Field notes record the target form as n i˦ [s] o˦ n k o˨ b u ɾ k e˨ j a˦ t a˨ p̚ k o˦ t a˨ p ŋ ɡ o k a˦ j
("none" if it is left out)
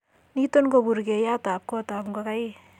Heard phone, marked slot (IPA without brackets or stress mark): t